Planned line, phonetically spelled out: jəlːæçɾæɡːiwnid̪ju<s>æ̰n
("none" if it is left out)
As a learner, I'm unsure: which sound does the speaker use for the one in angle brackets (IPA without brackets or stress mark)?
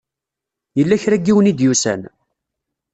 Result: s